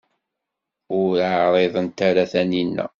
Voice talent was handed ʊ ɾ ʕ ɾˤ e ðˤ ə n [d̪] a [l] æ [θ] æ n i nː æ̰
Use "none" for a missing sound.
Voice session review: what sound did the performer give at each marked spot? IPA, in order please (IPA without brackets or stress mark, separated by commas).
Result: t̪, ɾ, θ